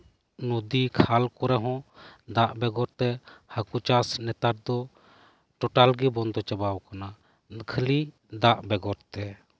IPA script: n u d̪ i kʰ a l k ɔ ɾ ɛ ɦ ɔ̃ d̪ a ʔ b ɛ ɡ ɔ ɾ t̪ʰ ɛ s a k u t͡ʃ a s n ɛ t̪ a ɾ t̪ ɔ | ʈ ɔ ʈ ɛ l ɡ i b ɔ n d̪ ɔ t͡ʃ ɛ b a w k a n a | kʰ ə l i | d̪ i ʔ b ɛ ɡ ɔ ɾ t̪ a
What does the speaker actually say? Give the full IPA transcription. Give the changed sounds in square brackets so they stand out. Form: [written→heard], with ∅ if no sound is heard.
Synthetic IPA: n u d̪ i kʰ a l k ɔ ɾ ɛ ɦ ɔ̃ d̪ a ʔ b ɛ ɡ ɔ ɾ [t̪ʰ→t̪] ɛ [s→h] a k u t͡ʃ a s n ɛ t̪ a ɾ [t̪→d̪] ɔ | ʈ ɔ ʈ [ɛ→a] l ɡ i b ɔ n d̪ ɔ t͡ʃ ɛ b a w k a n a | kʰ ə l i | d̪ [i→a] ʔ b ɛ ɡ ɔ ɾ t̪ [a→ɛ]

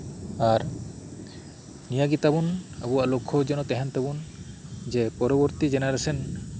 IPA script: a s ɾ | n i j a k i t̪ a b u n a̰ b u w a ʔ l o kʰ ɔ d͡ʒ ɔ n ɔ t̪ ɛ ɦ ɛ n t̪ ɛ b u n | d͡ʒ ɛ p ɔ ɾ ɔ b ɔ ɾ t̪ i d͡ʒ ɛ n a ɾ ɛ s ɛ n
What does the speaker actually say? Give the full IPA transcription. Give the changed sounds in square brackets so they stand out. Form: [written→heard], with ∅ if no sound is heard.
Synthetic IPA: a [s→∅] ɾ | n i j a [k→ɡ] i t̪ a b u n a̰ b u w a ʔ l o kʰ ɔ d͡ʒ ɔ n ɔ t̪ ɛ ɦ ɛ n t̪ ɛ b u n | d͡ʒ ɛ p ɔ ɾ ɔ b ɔ ɾ t̪ i d͡ʒ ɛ n a ɾ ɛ s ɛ n

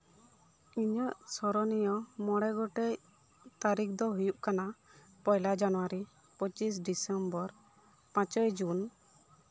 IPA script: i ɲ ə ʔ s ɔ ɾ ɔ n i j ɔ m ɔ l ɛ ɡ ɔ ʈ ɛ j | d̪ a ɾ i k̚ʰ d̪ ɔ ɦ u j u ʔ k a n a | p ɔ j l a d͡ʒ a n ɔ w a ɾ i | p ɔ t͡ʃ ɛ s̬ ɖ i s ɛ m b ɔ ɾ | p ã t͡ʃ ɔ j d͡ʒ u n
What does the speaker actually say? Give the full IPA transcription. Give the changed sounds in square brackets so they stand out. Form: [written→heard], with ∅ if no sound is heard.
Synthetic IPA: i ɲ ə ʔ s ɔ ɾ ɔ n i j ɔ m ɔ [l→ɽ] ɛ ɡ ɔ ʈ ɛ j | [d̪→t̪] a ɾ i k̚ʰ d̪ ɔ ɦ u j u ʔ k a n a | p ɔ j l a d͡ʒ a n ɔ w a ɾ i | p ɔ t͡ʃ [ɛ→i] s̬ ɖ i s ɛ m b ɔ ɾ | p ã t͡ʃ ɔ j d͡ʒ u n

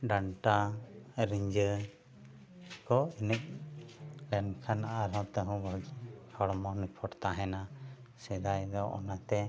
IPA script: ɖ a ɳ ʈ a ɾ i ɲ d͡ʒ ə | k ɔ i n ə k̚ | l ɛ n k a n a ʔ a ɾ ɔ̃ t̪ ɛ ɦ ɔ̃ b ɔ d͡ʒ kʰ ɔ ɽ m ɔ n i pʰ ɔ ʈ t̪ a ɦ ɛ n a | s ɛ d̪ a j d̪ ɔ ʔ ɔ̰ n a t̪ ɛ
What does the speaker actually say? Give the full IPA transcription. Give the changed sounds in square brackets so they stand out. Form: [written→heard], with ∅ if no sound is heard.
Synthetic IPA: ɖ a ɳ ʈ a ɾ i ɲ d͡ʒ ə | k ɔ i n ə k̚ | l ɛ n [k→kʰ] a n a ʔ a ɾ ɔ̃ t̪ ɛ ɦ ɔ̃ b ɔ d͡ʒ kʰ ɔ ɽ m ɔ n i pʰ ɔ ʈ t̪ a ɦ ɛ n a | s ɛ d̪ a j d̪ ɔ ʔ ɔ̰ n a t̪ ɛ

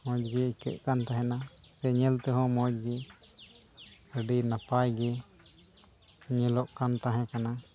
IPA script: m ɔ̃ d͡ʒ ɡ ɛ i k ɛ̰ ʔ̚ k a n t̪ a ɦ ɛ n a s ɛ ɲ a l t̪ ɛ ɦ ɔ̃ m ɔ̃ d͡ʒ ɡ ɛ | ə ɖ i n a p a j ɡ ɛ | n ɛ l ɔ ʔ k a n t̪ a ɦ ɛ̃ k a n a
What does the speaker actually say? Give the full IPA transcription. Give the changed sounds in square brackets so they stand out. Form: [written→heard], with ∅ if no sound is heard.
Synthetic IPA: m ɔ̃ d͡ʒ ɡ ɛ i k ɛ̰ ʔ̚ k a n t̪ a ɦ ɛ n a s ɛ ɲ [a→ɛ] l t̪ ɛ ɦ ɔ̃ m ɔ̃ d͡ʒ ɡ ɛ | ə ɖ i n a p a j ɡ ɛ | [n→ɲ] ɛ l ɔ ʔ k a n t̪ a ɦ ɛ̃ k a n a

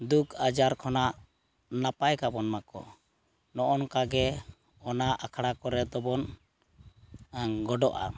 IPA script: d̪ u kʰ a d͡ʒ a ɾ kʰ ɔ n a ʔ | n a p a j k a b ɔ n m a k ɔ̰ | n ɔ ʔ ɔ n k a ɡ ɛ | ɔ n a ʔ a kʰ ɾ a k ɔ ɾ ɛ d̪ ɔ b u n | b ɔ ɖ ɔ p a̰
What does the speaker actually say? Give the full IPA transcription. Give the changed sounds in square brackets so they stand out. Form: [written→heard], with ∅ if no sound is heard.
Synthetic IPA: d̪ u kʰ a d͡ʒ a ɾ kʰ ɔ n a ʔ | n a p a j k a b ɔ n m a k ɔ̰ | n ɔ ʔ ɔ n k a ɡ ɛ | ɔ n a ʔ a kʰ [ɾ→ɽ] a k ɔ ɾ ɛ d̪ ɔ b [u→ɔ] n | [b→ɡ] ɔ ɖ ɔ [p→ʔ] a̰

